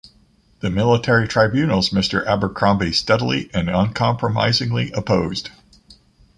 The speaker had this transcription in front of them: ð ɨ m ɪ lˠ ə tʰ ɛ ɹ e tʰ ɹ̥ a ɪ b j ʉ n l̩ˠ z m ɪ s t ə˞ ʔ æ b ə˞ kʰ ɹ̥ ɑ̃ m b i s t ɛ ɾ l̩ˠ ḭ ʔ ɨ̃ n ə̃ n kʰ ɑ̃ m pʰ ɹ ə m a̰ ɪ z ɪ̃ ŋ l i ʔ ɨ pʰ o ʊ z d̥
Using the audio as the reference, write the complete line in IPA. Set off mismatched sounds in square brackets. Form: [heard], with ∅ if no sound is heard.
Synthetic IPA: ð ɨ m ɪ lˠ ə tʰ ɛ ɹ [i] tʰ ɹ̥ a ɪ b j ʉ n l̩ˠ z m ɪ s t ə˞ ʔ æ b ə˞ kʰ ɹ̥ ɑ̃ m b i s t ɛ ɾ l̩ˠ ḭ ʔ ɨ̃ n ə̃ n kʰ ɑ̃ m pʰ ɹ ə m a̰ ɪ z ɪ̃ ŋ l i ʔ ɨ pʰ o ʊ z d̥